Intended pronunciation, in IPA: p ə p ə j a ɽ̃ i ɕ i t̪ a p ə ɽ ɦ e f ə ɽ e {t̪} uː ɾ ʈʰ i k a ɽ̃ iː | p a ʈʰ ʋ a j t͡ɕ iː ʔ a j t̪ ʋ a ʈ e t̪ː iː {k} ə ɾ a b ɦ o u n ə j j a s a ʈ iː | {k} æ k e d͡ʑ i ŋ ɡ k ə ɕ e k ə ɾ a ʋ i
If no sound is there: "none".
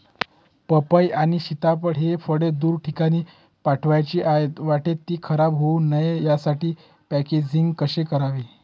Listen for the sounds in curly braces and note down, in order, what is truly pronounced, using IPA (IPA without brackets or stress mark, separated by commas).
d̪, kʰ, p